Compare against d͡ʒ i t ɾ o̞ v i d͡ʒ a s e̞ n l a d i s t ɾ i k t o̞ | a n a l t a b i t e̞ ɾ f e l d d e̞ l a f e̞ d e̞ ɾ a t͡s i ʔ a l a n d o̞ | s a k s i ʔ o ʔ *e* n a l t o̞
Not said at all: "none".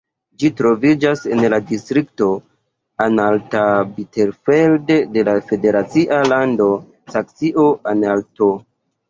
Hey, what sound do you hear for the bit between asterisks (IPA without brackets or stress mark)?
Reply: a